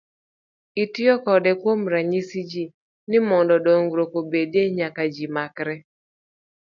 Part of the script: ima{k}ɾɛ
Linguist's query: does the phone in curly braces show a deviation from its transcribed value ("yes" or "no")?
no